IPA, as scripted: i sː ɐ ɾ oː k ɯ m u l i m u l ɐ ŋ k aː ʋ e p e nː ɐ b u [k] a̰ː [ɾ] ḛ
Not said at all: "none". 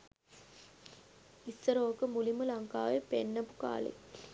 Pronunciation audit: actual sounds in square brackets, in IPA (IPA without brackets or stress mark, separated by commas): k, l